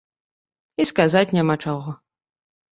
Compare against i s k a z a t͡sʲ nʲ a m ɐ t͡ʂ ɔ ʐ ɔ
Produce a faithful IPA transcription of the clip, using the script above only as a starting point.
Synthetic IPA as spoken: i s k a z a t͡sʲ nʲ a m a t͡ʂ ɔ ɣ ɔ